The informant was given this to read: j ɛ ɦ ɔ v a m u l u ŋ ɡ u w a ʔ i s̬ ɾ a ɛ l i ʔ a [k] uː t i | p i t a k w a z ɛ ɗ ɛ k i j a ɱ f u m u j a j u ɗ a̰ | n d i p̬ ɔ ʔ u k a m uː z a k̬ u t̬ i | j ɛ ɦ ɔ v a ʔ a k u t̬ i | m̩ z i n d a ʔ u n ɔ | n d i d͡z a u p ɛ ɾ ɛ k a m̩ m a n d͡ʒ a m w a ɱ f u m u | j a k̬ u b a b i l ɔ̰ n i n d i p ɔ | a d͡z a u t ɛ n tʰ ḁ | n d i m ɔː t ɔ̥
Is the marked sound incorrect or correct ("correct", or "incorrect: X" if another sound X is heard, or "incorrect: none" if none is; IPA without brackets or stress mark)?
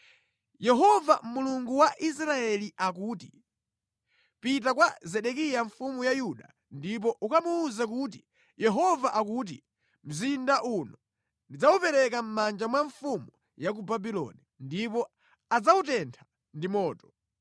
correct